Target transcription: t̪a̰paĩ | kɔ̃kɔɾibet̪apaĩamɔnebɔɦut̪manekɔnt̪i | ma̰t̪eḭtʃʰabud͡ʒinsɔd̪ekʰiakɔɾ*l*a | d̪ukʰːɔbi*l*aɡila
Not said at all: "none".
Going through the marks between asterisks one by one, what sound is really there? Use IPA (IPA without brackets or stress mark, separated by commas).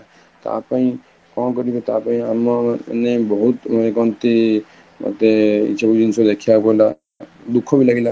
l, l